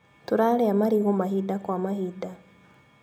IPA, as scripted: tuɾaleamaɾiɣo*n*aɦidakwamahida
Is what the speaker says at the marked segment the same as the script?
no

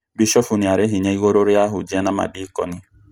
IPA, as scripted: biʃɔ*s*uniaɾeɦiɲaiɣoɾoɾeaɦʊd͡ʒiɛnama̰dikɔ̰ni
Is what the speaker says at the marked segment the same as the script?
no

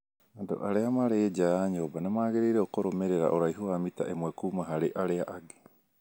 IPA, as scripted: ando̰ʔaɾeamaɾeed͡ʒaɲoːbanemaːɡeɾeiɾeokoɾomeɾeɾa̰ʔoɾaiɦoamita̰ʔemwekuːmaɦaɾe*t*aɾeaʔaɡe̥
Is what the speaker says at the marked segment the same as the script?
no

